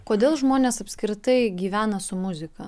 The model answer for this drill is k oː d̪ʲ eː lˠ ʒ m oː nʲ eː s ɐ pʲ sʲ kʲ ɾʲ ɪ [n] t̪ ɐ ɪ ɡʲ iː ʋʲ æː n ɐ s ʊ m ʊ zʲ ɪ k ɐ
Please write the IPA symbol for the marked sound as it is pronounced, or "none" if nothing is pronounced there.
none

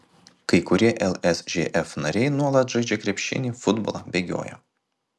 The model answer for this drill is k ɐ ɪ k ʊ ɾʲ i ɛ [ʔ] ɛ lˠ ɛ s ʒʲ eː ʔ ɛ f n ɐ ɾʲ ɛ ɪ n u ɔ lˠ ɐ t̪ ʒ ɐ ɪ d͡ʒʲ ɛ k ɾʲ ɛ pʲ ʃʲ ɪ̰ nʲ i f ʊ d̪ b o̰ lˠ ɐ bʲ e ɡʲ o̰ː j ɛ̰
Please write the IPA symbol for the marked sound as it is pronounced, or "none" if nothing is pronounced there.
ʔ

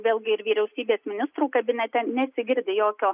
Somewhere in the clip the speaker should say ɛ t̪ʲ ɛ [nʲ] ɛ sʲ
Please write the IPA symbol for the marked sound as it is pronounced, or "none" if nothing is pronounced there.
nʲ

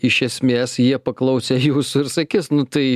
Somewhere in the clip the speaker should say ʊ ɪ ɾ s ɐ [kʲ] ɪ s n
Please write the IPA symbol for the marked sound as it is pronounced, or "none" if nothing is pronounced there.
kʲ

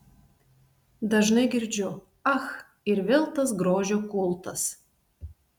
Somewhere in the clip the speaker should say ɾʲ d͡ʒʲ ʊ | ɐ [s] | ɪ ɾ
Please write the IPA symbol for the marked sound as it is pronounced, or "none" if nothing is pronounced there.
x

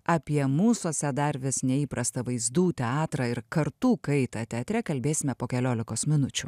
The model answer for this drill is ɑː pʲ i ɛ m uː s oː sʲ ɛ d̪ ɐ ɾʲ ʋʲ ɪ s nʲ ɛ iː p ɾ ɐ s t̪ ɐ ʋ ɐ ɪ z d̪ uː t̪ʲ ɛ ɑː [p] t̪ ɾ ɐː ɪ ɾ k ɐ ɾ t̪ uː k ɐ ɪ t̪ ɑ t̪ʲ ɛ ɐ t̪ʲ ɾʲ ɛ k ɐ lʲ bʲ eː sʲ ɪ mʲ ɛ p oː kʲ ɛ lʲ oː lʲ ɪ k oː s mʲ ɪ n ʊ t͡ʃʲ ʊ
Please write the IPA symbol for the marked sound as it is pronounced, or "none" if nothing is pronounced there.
none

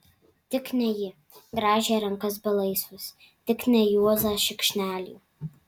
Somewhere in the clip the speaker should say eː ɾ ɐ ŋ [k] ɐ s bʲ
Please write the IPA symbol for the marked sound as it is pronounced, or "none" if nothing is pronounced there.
k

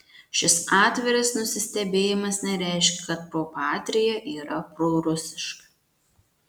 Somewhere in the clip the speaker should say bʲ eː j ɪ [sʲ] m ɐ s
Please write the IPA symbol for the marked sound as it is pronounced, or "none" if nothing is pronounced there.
none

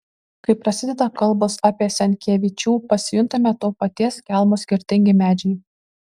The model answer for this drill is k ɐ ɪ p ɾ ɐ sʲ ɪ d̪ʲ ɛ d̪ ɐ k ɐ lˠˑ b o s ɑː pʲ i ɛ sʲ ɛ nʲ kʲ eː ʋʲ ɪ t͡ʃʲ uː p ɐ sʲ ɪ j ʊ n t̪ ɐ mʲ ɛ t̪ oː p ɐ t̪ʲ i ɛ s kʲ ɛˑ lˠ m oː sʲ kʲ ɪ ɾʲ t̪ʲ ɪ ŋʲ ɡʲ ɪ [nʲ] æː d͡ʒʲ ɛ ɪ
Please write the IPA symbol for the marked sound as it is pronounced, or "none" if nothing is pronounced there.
mʲ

